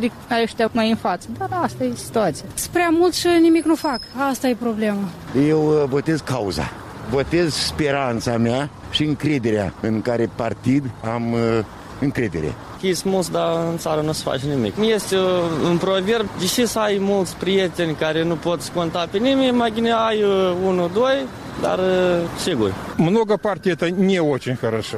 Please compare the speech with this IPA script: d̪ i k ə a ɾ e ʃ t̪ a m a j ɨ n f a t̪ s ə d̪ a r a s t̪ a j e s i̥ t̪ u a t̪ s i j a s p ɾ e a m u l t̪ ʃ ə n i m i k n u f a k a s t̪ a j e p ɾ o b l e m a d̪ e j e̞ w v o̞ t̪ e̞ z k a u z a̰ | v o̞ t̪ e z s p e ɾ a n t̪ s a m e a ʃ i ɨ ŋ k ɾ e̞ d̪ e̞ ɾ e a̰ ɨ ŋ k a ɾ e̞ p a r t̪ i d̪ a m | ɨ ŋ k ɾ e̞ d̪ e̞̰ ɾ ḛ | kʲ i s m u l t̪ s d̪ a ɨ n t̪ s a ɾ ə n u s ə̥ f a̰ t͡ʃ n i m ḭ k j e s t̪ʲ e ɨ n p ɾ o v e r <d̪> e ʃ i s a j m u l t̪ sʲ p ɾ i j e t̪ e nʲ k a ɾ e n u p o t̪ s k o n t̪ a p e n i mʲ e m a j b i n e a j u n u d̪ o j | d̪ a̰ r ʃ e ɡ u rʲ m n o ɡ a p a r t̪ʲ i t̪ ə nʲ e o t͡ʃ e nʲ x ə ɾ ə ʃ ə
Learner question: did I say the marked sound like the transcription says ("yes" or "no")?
yes